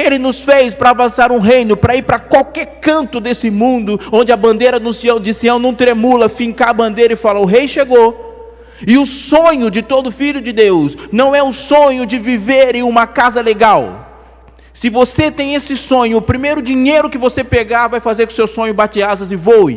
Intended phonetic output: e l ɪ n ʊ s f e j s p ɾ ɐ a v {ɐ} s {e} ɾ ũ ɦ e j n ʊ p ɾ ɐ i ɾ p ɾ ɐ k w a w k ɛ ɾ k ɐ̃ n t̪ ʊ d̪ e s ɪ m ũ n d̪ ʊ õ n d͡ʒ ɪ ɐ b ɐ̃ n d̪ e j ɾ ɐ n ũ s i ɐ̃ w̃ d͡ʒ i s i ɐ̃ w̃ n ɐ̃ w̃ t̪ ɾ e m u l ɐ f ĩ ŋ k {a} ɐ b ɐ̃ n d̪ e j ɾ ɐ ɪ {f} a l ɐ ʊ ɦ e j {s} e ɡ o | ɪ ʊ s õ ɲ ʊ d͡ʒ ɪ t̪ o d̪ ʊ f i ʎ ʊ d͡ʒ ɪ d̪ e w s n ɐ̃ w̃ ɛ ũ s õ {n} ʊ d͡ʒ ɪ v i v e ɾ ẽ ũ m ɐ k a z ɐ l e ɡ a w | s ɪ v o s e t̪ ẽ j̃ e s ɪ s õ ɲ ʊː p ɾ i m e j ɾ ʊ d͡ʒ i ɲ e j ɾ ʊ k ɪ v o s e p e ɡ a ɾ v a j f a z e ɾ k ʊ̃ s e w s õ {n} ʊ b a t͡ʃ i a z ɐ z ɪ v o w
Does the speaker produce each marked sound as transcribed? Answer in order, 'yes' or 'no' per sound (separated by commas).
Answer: no, no, yes, yes, no, no, no